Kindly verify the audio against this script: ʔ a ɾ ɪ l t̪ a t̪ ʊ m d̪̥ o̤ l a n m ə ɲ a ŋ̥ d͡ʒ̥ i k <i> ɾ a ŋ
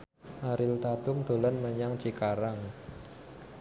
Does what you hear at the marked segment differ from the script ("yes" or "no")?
yes